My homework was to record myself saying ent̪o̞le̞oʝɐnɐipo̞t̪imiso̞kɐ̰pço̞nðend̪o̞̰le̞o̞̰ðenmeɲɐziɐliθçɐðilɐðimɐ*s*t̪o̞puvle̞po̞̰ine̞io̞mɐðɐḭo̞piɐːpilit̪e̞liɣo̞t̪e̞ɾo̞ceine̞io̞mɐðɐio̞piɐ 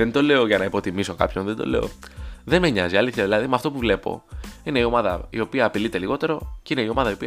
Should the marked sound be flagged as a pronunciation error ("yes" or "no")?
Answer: yes